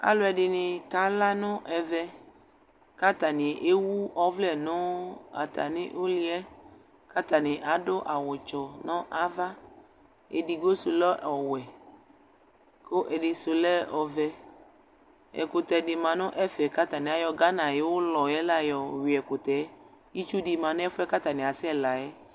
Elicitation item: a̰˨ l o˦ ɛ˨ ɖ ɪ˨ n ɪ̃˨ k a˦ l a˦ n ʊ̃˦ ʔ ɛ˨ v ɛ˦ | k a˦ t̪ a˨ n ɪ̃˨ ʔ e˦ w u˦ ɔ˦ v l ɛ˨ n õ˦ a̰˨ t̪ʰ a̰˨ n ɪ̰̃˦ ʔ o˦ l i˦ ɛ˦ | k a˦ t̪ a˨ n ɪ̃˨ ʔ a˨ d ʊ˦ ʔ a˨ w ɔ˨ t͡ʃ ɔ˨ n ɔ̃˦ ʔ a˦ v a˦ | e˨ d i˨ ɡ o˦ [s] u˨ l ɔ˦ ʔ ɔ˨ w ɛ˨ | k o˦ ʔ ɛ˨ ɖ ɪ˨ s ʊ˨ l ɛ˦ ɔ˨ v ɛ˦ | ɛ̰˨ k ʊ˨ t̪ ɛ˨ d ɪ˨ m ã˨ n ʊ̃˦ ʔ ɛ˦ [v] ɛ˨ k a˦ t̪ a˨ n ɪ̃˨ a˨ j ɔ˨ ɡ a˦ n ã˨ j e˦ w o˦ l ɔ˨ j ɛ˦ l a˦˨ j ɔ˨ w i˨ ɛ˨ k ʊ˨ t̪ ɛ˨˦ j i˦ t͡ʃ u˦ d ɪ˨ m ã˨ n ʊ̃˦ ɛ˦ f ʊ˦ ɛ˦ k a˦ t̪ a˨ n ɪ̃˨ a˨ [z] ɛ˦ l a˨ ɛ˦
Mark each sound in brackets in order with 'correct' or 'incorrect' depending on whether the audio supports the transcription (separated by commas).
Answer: correct, incorrect, incorrect